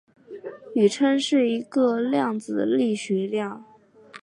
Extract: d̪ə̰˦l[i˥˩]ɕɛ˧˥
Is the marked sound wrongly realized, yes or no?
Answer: no